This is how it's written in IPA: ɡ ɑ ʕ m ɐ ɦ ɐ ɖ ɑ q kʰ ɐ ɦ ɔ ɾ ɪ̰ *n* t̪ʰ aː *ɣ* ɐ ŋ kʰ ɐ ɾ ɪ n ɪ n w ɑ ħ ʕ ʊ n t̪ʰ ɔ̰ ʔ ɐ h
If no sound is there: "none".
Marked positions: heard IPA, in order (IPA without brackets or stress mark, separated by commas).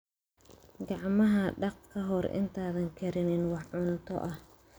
n, ð